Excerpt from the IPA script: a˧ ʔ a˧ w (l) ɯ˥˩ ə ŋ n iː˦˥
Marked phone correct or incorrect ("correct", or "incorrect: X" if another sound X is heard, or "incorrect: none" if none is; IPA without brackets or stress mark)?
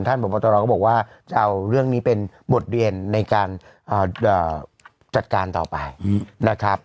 incorrect: ɾ